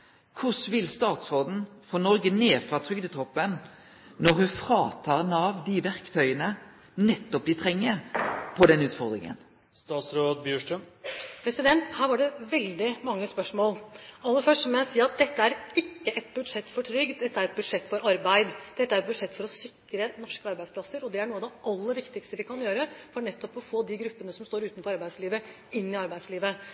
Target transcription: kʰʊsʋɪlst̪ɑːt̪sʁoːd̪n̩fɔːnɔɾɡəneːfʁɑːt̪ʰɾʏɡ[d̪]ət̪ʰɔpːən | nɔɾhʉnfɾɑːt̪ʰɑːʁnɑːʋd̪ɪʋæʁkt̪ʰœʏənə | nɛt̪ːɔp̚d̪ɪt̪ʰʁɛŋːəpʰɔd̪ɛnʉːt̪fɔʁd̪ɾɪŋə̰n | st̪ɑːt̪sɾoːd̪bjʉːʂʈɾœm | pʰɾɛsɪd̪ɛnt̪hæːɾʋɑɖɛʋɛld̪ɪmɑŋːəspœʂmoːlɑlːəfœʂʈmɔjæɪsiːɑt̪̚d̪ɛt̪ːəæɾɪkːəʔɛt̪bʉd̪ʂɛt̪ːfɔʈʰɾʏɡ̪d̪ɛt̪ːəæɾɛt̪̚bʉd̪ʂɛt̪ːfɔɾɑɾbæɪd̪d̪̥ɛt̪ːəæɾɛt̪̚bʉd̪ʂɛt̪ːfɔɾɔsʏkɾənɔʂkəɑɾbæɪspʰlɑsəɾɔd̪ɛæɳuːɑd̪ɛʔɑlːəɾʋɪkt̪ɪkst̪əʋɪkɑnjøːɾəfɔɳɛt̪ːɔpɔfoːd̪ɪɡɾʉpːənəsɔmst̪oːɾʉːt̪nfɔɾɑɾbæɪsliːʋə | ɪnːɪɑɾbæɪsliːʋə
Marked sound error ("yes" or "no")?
no